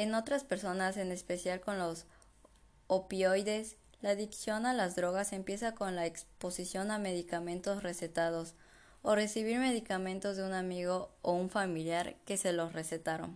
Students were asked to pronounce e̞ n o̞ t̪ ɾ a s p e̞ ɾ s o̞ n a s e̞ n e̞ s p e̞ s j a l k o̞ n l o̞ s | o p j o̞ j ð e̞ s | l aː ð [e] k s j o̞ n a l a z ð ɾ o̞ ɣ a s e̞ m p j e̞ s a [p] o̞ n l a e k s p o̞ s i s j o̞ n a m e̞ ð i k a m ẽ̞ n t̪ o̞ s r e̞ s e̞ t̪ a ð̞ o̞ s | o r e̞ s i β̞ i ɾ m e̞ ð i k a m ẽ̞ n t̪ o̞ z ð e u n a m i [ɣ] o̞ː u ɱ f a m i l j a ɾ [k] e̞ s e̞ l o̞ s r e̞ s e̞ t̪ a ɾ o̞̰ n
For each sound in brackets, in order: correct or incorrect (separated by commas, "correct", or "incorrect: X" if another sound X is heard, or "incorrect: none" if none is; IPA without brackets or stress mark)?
incorrect: i, incorrect: k, correct, correct